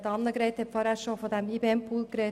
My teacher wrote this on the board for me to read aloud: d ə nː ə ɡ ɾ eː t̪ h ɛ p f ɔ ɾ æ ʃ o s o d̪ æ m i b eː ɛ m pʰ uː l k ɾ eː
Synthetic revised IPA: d ɑ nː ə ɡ ɾ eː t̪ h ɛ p f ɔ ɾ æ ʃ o f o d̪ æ m i b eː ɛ m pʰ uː l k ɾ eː